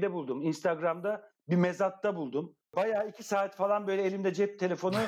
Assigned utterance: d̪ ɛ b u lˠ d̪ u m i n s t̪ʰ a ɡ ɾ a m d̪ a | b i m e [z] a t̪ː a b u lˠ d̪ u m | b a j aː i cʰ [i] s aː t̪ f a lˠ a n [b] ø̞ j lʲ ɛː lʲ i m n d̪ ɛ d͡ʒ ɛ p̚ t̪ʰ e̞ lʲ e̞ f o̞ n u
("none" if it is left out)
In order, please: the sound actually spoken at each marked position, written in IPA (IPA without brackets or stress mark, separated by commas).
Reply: z, i, b